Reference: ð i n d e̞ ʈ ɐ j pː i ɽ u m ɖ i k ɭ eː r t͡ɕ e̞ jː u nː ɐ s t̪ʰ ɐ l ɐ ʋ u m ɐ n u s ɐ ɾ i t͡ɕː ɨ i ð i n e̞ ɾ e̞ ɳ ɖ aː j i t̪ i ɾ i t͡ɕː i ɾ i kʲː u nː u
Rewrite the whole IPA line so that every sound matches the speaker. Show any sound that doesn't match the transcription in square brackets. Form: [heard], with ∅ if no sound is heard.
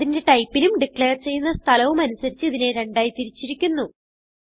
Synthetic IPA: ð i n d e̞ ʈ ɐ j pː i [l] u m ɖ i k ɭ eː r t͡ɕ e̞ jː u nː ɐ s t̪ʰ ɐ l ɐ ʋ u m ɐ n u s ɐ ɾ i t͡ɕː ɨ i ð i n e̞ ɾ e̞ ɳ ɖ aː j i t̪ i ɾ i t͡ɕː i ɾ i kʲː u nː u